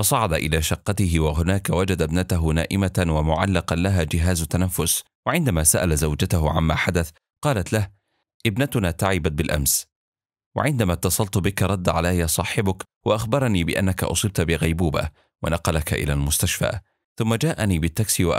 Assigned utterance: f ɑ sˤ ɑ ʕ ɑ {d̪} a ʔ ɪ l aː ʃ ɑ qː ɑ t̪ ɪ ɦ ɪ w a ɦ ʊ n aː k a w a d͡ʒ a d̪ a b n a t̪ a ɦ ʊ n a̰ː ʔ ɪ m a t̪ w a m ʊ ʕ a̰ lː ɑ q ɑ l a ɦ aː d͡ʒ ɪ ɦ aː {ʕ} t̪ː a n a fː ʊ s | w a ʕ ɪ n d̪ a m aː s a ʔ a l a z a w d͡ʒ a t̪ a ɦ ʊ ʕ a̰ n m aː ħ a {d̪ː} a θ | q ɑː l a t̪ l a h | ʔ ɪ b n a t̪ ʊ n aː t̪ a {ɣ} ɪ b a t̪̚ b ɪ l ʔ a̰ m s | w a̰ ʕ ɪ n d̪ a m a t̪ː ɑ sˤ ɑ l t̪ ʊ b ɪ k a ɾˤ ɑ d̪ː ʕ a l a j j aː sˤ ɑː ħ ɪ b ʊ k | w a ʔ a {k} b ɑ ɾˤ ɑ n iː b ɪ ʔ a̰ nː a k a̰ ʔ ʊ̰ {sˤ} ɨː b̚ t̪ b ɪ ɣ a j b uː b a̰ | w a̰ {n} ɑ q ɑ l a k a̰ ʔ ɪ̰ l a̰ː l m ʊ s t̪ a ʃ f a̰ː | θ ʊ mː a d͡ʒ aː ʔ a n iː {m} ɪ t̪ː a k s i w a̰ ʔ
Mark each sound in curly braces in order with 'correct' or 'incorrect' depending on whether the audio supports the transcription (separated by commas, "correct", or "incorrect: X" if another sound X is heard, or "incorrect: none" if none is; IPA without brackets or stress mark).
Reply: correct, incorrect: z, incorrect: d̪, incorrect: ʕ, incorrect: x, correct, correct, incorrect: b